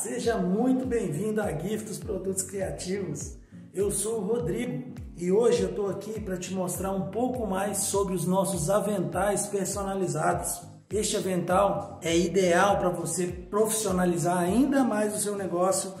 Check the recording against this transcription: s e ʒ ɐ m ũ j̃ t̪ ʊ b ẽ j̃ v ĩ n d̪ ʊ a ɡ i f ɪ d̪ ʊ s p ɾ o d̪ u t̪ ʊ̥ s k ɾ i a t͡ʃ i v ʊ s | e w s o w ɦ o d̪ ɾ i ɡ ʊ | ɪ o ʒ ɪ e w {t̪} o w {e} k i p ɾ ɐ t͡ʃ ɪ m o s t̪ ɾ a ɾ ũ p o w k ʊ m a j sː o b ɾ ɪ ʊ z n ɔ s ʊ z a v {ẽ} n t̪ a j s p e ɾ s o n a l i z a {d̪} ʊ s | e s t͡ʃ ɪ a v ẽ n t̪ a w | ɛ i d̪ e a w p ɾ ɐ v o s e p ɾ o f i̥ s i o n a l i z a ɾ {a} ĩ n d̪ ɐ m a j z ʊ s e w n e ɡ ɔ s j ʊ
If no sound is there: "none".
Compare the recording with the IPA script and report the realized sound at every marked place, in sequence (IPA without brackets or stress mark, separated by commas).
t̪, a, ẽ, d̪, a